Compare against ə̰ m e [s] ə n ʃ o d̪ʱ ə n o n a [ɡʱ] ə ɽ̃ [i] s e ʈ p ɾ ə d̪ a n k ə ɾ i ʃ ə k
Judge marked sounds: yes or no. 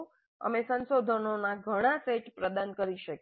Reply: yes, yes, no

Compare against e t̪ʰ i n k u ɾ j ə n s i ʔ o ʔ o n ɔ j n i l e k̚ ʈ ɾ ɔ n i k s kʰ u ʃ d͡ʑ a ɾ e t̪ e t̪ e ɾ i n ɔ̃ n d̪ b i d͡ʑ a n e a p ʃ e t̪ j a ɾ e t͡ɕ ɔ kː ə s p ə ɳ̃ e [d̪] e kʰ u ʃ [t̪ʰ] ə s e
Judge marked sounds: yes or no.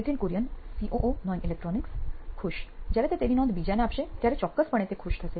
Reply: no, yes

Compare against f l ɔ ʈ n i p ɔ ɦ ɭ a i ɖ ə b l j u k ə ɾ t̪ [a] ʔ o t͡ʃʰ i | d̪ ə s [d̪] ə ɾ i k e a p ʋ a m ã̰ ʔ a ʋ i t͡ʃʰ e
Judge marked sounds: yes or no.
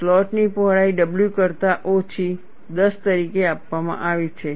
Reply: yes, no

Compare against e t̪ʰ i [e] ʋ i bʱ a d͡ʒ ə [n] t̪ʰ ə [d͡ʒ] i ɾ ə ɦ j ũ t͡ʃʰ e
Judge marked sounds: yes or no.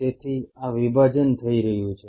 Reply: no, yes, no

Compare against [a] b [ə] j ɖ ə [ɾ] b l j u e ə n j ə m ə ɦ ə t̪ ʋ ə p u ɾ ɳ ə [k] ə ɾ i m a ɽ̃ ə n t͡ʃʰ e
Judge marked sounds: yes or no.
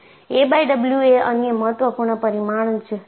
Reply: no, no, no, no

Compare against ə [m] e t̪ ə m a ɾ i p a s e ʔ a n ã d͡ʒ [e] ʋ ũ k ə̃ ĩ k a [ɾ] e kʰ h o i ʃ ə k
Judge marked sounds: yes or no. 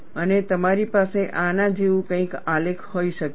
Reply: no, yes, no

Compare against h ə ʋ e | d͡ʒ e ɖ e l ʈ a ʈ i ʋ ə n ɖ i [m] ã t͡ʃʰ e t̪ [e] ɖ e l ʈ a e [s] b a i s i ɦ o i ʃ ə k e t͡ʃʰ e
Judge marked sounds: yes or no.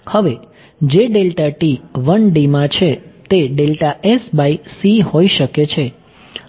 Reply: yes, yes, yes

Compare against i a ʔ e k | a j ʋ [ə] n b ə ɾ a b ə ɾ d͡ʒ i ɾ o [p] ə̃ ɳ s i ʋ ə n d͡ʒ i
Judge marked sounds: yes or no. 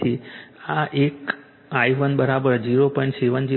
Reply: yes, yes

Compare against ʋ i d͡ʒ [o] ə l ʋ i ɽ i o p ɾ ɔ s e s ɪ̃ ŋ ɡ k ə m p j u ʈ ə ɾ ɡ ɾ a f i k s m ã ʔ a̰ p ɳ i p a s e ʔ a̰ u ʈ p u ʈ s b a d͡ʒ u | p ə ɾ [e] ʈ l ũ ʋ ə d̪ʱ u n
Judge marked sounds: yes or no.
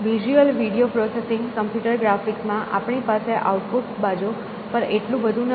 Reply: no, yes

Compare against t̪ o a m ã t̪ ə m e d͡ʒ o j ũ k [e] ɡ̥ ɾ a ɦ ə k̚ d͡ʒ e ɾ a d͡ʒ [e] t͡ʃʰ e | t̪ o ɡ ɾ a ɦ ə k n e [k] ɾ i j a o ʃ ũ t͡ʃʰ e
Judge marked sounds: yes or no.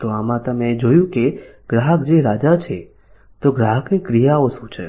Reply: yes, no, yes

